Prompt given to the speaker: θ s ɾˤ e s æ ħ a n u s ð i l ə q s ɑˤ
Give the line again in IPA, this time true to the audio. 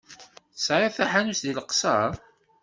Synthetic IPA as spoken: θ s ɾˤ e θ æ ħ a n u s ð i l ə q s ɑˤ